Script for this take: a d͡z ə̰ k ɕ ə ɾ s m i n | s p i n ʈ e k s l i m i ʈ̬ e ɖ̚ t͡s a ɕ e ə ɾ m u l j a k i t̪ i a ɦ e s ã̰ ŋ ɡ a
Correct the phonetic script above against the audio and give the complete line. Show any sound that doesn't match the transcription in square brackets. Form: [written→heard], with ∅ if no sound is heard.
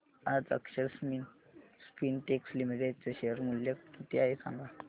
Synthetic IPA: a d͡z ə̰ k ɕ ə ɾ s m i n | s p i n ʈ e k s l i m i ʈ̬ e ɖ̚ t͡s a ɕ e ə ɾ m u l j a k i t̪ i a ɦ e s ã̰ ŋ ɡ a